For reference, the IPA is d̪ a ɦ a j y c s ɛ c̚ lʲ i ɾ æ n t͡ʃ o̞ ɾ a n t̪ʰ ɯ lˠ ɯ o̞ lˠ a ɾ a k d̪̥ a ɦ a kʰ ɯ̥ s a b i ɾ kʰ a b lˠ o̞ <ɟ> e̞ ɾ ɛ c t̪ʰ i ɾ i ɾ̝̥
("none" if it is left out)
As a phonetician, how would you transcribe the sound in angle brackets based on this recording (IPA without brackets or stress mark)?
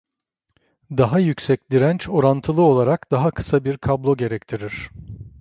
ɟ